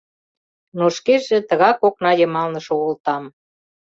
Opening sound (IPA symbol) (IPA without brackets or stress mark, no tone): n